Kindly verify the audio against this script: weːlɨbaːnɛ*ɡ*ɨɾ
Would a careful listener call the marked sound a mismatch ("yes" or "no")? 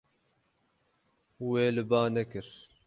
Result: yes